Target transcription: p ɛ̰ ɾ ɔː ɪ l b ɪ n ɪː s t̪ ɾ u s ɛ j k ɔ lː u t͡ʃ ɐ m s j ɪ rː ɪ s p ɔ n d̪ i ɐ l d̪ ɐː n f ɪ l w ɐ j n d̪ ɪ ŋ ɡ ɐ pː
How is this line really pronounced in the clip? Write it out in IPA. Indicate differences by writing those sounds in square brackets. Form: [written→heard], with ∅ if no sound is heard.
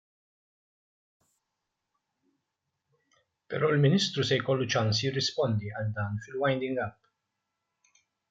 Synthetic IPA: p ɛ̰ ɾ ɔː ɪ l [b→m] ɪ n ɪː s t̪ ɾ u s ɛ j k ɔ lː u t͡ʃ ɐ [m→n] s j ɪ rː ɪ s p ɔ n d̪ i ɐ l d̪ ɐː n f ɪ l w ɐ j n d̪ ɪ ŋ ɡ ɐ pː